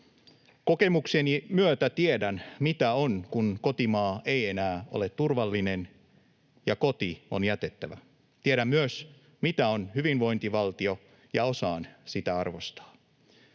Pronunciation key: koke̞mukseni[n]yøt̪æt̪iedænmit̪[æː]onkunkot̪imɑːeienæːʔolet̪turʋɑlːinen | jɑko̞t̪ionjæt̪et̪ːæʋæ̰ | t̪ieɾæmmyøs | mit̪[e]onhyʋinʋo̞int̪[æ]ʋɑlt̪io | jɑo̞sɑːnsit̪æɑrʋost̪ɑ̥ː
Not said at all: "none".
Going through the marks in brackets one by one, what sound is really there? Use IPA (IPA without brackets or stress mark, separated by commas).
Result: m, æ, æ, i